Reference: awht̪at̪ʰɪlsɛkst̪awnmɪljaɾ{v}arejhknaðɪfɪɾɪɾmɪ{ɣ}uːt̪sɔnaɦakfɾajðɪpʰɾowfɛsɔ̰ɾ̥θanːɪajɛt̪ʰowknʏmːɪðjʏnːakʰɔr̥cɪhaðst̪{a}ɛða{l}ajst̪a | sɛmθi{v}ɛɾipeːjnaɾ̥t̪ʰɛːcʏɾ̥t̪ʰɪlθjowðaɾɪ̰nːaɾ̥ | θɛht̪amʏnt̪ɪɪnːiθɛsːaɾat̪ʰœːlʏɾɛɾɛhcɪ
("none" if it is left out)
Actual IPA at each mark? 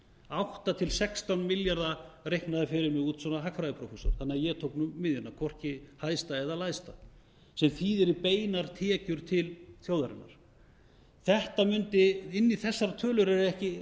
ð, ɣ, a, l, ð

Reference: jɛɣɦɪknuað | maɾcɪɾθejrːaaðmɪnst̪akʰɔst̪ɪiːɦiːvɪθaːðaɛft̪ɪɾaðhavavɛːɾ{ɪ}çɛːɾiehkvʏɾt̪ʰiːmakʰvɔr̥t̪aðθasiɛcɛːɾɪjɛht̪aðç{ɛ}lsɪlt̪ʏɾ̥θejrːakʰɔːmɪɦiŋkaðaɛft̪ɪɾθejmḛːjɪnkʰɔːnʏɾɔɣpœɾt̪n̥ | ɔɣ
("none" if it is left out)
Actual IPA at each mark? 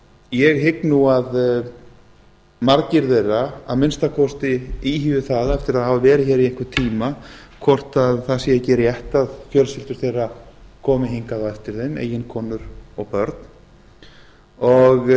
ɪ, œ

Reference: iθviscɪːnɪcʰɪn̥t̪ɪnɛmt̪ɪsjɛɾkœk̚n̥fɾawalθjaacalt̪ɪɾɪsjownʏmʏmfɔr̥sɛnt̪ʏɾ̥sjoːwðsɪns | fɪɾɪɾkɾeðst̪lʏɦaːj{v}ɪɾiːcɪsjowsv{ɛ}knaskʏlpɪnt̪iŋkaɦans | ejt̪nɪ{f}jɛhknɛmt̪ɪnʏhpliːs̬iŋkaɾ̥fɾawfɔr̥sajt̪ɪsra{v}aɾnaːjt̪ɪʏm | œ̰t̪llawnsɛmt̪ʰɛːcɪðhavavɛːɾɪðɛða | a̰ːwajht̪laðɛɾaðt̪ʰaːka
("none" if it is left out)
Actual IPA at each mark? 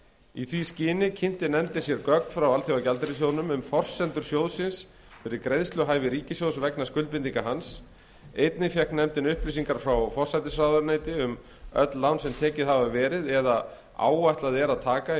v, ɛ, f, ð

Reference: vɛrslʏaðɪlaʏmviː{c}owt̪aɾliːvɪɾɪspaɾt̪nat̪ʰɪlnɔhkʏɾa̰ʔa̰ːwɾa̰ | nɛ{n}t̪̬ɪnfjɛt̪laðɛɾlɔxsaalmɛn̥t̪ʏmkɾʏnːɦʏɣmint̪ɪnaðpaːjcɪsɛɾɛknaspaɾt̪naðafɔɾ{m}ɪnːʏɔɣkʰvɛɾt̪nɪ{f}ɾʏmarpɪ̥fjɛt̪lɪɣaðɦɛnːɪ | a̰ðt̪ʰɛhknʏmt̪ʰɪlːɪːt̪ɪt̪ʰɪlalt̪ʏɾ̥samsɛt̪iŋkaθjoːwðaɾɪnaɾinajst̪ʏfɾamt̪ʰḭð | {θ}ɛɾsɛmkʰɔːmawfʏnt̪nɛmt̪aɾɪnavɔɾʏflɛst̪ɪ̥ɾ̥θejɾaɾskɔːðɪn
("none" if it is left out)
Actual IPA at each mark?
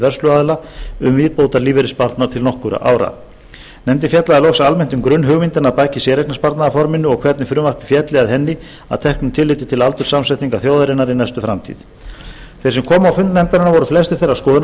p, m, m, f, θ

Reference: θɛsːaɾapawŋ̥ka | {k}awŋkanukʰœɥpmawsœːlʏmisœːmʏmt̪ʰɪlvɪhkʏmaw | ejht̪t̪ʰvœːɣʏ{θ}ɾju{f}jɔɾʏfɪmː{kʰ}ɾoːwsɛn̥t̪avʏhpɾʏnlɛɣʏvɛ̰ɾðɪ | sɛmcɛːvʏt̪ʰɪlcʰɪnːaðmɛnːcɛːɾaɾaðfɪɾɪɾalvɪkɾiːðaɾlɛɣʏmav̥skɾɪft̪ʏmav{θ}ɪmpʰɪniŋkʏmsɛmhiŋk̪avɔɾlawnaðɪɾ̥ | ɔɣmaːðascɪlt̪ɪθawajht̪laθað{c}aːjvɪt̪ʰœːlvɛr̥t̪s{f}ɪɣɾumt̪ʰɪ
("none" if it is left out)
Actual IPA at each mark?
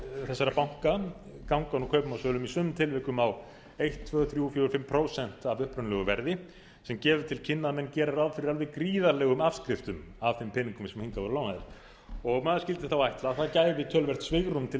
k, θ, f, pʰ, θ, c, v

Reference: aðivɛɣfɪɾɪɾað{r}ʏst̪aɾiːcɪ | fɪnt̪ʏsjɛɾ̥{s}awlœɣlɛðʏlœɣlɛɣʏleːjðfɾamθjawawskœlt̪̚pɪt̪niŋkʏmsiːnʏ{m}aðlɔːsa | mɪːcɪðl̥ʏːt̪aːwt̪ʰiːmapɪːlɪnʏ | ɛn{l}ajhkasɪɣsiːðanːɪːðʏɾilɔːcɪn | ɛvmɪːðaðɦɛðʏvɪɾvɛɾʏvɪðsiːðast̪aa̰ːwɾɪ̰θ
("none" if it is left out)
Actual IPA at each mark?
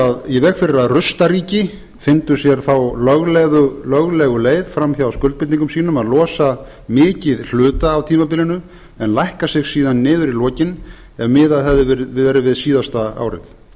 r, θ, m, l

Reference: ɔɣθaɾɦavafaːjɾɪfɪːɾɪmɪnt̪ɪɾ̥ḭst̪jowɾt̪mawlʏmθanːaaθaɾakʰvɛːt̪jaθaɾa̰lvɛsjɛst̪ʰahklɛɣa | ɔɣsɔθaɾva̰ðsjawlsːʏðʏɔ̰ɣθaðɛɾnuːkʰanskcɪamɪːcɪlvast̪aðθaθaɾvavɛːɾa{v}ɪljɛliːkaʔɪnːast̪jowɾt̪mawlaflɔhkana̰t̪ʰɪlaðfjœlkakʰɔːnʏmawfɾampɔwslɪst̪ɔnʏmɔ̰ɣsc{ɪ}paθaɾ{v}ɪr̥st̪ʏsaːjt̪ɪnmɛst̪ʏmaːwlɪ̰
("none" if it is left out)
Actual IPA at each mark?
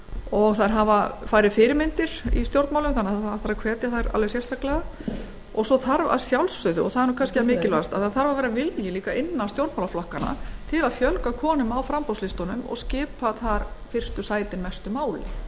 v, ɪː, f

